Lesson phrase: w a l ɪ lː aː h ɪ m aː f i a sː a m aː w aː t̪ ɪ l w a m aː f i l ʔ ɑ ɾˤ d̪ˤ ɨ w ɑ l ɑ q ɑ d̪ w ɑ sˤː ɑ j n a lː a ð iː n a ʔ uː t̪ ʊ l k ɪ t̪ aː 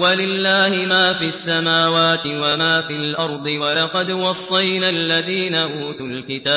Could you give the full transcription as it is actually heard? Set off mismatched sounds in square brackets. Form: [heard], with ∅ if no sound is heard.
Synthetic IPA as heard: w a l ɪ lː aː h ɪ m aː f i a sː a m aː w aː t̪ ɪ [∅] w a m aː f i l ʔ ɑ ɾˤ d̪ˤ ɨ w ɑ l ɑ q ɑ d̪ w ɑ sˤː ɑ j n a lː a ð iː n a ʔ uː t̪ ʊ l k ɪ t̪ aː